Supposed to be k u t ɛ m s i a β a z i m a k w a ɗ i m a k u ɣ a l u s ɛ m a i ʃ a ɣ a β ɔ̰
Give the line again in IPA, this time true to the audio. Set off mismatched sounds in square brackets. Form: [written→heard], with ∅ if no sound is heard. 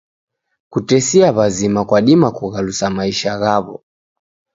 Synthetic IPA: k u t ɛ [m→∅] s i a β a z i m a k w a ɗ i m a k u ɣ a l u s [ɛ→a] m a i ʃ a ɣ a β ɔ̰